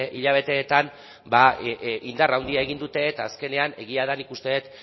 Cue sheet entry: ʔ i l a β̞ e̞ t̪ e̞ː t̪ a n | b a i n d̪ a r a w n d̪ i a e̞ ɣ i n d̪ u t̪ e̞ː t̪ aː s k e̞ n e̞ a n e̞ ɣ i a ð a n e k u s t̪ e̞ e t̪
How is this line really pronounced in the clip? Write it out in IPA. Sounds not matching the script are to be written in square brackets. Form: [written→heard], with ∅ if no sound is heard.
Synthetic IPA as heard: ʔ i [l→ʎ] a β̞ e̞ t̪ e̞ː t̪ a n | b a i n d̪ a r a w n d̪ i a e̞ ɣ i n d̪ u t̪ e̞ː t̪ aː s k e̞ n e̞ a n e̞ ɣ i a ð a n [e→i] k u s t̪ e̞ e t̪